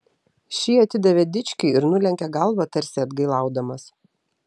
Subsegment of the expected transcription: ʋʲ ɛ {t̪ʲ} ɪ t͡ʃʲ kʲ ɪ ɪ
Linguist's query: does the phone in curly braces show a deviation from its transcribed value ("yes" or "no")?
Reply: yes